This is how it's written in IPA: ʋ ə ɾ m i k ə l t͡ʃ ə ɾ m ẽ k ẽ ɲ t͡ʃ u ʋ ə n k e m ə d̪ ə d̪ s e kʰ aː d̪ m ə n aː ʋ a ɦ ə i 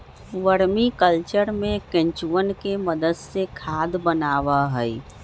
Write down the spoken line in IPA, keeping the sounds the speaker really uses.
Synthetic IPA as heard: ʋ ə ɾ m i k ə l t͡ʃ ə ɾ m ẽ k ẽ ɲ t͡ʃ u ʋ ə n k e m ə d̪ ə d̪ s e kʰ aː d̪ b ə n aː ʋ a ɦ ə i